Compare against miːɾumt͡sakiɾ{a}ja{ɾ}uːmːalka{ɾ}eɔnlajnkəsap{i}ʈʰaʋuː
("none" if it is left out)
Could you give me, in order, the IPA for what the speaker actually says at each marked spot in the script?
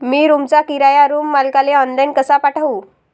a, ɾ, l, a

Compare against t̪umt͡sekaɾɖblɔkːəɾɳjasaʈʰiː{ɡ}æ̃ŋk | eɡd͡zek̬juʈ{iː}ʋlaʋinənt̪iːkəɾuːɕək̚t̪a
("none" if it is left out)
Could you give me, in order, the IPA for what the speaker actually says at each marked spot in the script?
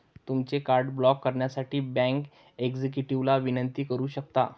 b, i

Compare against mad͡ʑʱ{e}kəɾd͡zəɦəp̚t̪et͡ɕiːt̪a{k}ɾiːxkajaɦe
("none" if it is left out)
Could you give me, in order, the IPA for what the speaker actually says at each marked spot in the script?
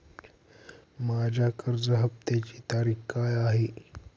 a, none

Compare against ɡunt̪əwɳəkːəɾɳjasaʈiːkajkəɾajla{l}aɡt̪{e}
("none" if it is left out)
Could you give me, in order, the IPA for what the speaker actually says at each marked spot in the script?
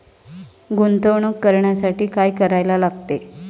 l, e

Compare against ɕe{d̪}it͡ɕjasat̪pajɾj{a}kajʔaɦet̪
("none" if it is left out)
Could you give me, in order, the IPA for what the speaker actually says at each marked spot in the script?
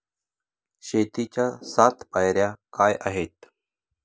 t̪, a

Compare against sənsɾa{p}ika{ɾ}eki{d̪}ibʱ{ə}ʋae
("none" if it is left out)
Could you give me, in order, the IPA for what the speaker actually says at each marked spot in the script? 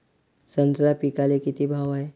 p, l, t̪, a

